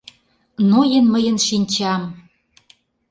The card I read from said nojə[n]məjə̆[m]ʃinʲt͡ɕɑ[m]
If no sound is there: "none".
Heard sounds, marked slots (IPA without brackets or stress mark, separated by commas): n, n, m